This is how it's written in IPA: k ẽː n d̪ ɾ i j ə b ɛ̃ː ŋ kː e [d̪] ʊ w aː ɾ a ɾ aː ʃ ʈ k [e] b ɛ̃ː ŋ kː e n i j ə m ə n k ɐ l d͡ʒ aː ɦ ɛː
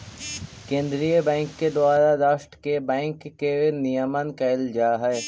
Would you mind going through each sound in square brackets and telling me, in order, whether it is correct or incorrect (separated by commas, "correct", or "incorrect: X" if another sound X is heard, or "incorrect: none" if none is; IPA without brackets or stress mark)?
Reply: correct, correct